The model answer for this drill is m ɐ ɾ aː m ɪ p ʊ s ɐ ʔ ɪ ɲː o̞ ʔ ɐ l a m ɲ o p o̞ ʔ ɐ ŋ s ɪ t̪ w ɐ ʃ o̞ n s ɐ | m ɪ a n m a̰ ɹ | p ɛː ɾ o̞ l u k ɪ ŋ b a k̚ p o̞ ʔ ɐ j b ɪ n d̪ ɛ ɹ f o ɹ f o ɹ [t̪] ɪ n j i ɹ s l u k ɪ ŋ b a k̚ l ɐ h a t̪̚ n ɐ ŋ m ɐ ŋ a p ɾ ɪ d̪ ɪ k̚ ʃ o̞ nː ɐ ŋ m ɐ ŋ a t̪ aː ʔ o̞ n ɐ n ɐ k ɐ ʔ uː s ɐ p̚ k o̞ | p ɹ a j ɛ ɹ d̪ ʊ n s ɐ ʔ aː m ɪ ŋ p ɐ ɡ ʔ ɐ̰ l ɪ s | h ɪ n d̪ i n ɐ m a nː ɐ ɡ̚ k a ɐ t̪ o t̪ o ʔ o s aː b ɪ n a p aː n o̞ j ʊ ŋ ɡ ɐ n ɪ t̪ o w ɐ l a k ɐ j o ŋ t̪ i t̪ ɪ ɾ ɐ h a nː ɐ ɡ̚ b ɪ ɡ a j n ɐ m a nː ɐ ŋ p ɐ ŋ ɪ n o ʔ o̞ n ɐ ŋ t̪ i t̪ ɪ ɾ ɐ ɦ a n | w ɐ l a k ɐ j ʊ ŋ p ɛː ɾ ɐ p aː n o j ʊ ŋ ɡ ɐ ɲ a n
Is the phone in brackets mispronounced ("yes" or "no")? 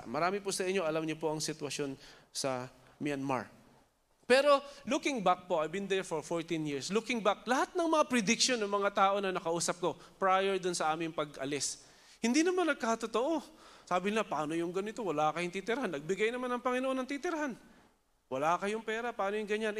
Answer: no